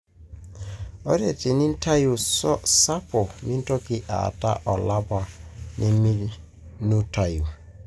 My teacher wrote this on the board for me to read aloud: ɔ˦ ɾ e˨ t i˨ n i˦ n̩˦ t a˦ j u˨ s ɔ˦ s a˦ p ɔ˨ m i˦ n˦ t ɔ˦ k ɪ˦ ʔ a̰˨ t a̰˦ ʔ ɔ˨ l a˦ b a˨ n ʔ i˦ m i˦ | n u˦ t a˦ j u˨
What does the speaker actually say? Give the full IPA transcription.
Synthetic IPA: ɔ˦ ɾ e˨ t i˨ n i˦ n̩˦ t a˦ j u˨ s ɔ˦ s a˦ p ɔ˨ m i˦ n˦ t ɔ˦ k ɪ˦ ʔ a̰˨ t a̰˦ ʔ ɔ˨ l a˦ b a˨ n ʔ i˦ m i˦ | n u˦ t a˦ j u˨